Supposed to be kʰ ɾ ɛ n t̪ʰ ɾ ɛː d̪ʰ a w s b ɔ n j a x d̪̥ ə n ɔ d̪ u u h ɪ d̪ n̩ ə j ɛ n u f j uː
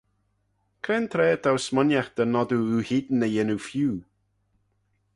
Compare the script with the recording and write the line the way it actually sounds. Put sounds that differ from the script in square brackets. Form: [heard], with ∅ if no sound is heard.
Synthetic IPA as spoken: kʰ ɾ ɛ n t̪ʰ ɾ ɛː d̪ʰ a w s [m] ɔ n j a x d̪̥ ə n ɔ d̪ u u h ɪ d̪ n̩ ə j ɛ n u f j uː